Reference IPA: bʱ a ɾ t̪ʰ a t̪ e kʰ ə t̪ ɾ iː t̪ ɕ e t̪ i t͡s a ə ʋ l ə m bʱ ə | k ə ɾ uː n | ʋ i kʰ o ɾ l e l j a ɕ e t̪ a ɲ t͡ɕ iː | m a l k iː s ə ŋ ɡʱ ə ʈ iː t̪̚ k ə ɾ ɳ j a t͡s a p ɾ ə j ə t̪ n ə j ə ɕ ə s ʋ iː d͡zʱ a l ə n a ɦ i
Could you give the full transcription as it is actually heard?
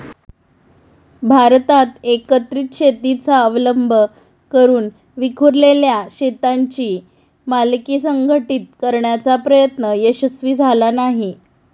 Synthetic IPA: bʱ a ɾ t̪ a t̪ e k ə t̪ ɾ iː t̪ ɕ e t̪ i t͡s a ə ʋ l ə m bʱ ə | k ə ɾ uː n | ʋ i kʰ u ɾ l e l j a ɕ e t̪ a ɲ t͡ɕ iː | m a l k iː s ə ŋ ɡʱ ə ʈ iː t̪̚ k ə ɾ ɳ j a t͡s a p ɾ ə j ə t̪ n ə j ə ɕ ə s ʋ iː d͡zʱ a l a n a ɦ i

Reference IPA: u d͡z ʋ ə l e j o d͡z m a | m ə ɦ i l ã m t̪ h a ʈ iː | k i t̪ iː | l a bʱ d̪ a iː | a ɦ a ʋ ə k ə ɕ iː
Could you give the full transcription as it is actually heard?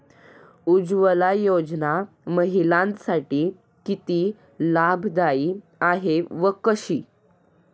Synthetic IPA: u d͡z ʋ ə l a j o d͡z n a | m ə ɦ i l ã n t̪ s a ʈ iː | k i t̪ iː | l a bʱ d̪ a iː | a ɦ e ʋ ə k ə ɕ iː

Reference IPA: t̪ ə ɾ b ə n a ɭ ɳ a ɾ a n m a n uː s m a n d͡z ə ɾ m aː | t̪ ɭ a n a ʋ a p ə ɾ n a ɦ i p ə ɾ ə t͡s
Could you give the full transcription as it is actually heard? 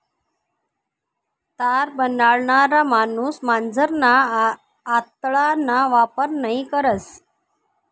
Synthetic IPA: t̪ a ɾ b ə n a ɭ ɳ a ɾ a m a n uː s m a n d͡z ə ɾ n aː | t̪ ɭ a n a ʋ a p ə ɾ n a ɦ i k ə ɾ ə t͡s

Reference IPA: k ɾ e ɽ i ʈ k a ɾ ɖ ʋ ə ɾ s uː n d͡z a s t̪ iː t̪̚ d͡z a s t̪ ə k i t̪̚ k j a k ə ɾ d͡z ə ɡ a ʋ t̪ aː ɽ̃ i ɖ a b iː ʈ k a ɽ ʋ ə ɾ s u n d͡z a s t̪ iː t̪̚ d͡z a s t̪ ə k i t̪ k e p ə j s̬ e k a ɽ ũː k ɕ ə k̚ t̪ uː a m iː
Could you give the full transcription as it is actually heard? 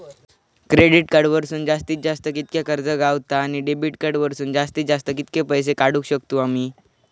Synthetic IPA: k ɾ e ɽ i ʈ k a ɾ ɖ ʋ ə ɾ s uː n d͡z a s t̪ iː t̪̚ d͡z a s t̪ ə k i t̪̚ k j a k ə ɾ d͡z ə ɡ a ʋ t̪ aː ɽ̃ i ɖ e b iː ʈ k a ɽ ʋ ə ɾ s uː n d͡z a s t̪ iː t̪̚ d͡z a s t̪ ə k i t̪ k e p ə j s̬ e k a ɽ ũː k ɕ ə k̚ t̪ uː a m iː

